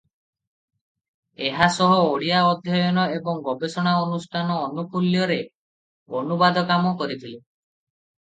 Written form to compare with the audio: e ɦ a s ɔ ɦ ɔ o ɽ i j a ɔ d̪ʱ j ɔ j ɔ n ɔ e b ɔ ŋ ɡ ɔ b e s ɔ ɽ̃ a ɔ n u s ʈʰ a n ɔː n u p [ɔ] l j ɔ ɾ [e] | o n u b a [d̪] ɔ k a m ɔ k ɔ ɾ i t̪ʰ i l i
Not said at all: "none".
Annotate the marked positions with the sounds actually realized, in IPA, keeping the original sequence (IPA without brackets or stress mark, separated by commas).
u, e, d̪